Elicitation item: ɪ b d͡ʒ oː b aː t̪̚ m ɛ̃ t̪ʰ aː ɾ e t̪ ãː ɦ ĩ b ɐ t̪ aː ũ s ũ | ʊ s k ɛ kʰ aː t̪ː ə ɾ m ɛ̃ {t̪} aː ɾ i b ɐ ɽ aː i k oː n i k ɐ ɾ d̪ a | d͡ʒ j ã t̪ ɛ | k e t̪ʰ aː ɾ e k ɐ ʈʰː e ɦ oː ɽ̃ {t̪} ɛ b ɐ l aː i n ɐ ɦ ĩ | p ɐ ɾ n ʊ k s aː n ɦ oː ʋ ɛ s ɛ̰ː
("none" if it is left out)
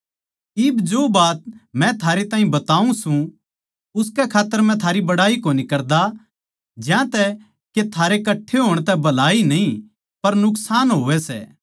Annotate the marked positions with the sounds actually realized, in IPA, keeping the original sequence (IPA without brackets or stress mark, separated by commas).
t̪ʰ, t̪